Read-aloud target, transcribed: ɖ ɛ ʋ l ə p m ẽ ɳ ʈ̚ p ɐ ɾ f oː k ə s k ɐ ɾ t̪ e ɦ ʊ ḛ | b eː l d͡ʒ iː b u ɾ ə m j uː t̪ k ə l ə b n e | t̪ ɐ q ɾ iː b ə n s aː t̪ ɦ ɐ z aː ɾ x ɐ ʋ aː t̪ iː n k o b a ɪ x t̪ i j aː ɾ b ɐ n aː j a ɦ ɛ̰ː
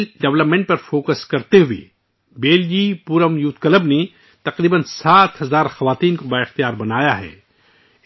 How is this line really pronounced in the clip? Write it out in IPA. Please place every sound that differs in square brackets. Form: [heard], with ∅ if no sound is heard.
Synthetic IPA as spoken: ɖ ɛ ʋ l ə p m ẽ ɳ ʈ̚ p ɐ ɾ f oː k ə s k ɐ ɾ t̪ e ɦ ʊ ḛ | b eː l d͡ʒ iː [p] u ɾ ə m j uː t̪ k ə l ə b n e | t̪ ɐ q ɾ iː b ə n s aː t̪ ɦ ɐ z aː ɾ x ɐ ʋ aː t̪ iː n k o b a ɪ x t̪ i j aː ɾ b ɐ n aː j a ɦ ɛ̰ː